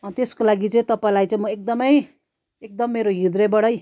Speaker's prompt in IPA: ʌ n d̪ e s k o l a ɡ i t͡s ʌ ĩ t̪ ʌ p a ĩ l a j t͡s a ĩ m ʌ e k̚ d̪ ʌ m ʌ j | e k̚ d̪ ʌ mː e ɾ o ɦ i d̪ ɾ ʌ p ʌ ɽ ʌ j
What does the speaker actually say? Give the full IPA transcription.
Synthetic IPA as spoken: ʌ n t̪ e s k o l a ɡ i t͡s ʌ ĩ t̪ ʌ p a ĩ l a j t͡s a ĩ m ʌ e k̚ d̪ ʌ m ʌ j | e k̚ d̪ ʌ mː e ɾ o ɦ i d̪ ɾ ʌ b ʌ ɽ ʌ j